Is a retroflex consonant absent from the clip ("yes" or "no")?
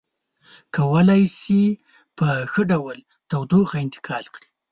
no